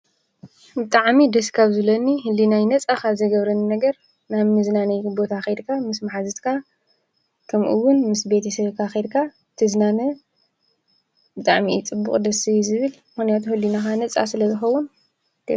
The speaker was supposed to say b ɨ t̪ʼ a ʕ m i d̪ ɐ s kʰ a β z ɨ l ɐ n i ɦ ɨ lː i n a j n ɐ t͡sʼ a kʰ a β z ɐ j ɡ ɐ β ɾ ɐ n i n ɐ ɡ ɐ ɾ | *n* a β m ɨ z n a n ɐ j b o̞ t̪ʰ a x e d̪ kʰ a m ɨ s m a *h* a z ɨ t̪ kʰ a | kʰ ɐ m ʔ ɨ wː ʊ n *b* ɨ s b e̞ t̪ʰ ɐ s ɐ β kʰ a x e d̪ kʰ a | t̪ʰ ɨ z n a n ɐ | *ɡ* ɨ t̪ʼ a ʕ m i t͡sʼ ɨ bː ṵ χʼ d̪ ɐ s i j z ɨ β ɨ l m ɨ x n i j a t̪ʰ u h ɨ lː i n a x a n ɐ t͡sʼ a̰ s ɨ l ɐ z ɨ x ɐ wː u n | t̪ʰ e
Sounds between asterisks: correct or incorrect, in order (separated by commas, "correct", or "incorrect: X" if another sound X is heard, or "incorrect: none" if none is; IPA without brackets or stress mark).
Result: correct, incorrect: ħ, incorrect: m, incorrect: b